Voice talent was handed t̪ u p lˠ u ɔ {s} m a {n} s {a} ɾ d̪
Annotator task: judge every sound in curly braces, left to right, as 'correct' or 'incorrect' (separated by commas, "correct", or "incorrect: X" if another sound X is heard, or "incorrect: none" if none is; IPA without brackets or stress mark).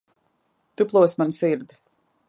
correct, correct, incorrect: i